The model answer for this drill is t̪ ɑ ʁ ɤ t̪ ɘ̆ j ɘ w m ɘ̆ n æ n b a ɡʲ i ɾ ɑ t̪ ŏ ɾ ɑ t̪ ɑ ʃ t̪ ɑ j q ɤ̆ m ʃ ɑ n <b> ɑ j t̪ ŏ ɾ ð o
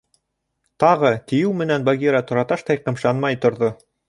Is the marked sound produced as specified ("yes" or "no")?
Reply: no